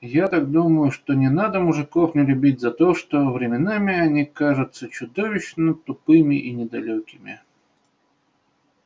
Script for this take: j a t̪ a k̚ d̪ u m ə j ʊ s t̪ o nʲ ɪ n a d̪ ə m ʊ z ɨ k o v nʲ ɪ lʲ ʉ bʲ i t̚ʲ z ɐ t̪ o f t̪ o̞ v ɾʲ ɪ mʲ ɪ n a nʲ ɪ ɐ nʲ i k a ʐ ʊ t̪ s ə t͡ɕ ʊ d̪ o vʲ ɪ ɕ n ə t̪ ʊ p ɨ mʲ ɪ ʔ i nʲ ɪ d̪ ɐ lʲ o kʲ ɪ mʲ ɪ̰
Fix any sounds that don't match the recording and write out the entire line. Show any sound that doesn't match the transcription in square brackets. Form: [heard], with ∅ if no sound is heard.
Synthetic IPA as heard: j a t̪ a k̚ d̪ u m ə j ʊ [ʂ] t̪ o nʲ ɪ n a d̪ ə m ʊ [ʐ] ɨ k o [f] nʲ ɪ lʲ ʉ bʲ i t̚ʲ z ɐ t̪ o [ʂ] t̪ o̞ v ɾʲ ɪ mʲ ɪ n a [mʲ] ɪ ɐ nʲ i k a ʐ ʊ t̪ s ə t͡ɕ ʊ d̪ o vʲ ɪ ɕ n ə t̪ ʊ p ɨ mʲ ɪ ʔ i nʲ ɪ d̪ ɐ lʲ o kʲ ɪ mʲ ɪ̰